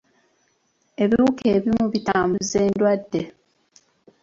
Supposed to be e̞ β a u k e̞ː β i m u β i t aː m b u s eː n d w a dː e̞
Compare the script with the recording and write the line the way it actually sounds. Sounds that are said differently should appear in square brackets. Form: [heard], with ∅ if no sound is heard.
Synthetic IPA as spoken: e̞ β [i] u k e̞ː β i m u β i t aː m b u [z] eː n d w a dː e̞

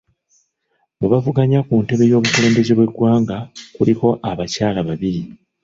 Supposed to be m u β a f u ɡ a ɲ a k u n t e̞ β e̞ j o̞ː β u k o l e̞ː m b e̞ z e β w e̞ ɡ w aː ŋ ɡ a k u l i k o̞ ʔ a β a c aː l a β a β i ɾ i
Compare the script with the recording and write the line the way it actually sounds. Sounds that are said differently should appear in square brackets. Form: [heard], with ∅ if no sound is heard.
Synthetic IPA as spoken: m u β a [v] u ɡ a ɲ a k u n t e̞ β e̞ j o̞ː β u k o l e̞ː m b e̞ z e β w e̞ ɡ w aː ŋ ɡ a k u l i k o̞ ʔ a β a c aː l a β a β i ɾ i

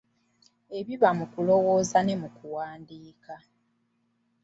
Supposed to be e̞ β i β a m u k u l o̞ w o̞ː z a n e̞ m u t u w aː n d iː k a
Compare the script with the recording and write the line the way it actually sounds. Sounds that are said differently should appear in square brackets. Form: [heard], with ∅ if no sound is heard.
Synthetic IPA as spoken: e̞ β i β a m u k u l o̞ w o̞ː z a n e̞ m u [k] u w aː n d iː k a

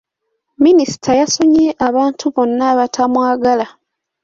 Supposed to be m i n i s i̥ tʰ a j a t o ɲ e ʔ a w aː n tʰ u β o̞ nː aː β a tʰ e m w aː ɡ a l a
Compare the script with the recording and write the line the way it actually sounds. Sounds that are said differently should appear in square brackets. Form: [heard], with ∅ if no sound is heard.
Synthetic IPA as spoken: m i n i s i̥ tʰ a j a [s] o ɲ e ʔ a [β] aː n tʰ u β o̞ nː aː β a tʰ [a] m w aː ɡ a l a

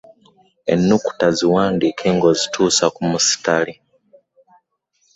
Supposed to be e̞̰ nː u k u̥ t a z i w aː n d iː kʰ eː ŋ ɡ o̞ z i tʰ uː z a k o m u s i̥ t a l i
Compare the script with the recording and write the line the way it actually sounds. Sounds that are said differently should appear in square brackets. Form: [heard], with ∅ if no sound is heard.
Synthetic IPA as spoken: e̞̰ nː u k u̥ t a z i w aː n d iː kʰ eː ŋ ɡ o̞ z i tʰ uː [s] a k [u] m u s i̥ t a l i

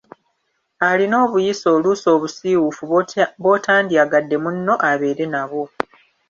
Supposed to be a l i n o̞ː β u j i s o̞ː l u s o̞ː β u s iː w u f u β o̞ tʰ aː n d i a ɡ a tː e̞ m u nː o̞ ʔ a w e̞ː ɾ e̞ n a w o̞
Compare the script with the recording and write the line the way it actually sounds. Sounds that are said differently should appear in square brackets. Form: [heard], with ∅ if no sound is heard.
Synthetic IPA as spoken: a l i n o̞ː β u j i s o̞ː l u s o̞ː β u s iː w u f u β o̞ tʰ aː n d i a ɡ a [dː] e̞ m u nː o̞ ʔ a [β] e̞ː ɾ e̞ n a [β] o̞

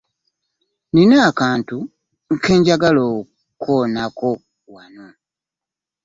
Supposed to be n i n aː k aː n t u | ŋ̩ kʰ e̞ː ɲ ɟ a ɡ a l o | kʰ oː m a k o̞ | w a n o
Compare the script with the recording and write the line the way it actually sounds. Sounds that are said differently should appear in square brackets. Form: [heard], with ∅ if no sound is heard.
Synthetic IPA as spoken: n i n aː k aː n t u | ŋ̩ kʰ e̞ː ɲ ɟ a ɡ a l o | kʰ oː [n] a k o̞ | w a n o

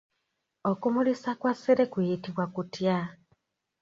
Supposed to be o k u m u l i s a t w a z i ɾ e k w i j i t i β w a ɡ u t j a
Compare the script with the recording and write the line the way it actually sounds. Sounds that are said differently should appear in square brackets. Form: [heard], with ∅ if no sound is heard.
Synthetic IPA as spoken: o k u m u l i s a [k] w a [s] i ɾ e k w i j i t i β w a [k] u t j a

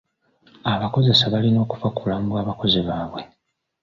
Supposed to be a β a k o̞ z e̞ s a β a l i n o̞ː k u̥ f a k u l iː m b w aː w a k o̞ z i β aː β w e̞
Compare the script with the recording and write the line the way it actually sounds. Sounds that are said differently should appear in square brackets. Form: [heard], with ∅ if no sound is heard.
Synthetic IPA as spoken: a β a k o̞ z e̞ s a β a l i n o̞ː k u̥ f a k u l [aː] m b w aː [β] a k o̞ z i β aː β w e̞

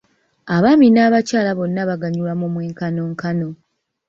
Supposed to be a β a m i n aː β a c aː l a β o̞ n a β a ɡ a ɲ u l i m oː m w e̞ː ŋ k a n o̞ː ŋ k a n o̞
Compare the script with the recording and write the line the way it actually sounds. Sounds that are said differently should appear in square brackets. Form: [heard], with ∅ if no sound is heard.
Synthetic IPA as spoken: a β a m i n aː β a c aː l a β o̞ [nː] a β a ɡ a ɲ u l [a] m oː m w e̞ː ŋ k a n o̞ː ŋ k a n o̞

